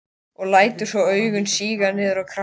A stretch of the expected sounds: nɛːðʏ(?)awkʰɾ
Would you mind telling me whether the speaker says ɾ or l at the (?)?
ɾ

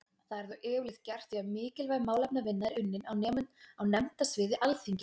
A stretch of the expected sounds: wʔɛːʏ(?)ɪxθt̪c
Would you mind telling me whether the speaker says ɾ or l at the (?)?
l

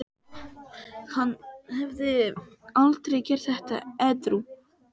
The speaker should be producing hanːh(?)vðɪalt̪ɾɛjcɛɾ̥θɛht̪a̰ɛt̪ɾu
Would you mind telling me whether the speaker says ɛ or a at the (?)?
ɛ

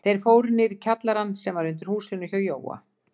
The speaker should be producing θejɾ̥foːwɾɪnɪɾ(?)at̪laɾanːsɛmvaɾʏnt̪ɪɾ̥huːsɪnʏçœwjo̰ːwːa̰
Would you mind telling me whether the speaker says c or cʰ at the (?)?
cʰ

